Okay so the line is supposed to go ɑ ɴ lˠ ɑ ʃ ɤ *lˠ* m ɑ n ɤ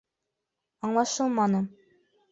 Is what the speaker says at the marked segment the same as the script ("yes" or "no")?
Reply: yes